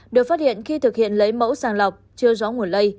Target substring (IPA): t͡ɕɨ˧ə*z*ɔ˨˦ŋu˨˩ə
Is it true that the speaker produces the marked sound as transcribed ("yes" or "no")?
yes